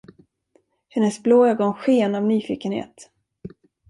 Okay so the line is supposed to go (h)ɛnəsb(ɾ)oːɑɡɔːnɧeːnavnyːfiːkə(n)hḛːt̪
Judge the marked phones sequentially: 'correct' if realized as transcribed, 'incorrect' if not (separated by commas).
correct, incorrect, correct